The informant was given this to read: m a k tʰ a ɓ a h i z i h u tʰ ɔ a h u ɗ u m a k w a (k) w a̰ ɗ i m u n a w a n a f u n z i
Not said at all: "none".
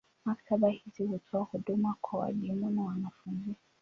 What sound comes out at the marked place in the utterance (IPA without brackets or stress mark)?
none